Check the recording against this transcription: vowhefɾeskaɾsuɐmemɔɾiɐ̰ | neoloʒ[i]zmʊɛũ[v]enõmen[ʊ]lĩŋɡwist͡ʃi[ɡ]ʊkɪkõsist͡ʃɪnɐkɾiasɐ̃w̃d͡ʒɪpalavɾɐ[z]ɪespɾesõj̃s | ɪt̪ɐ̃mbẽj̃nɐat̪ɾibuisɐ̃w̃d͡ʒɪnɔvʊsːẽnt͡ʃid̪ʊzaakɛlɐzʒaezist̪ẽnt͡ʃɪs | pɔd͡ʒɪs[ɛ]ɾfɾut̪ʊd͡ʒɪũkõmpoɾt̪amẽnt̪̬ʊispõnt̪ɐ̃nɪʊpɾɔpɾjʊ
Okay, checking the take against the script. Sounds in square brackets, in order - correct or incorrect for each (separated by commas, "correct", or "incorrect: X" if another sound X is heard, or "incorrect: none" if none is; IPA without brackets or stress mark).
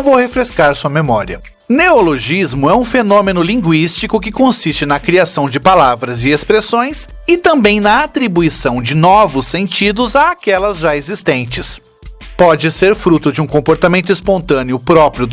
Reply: correct, incorrect: f, correct, incorrect: k, correct, incorrect: e